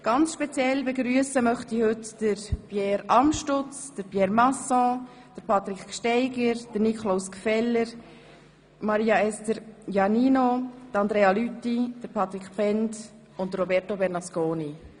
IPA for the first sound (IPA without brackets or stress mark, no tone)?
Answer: ɡ̥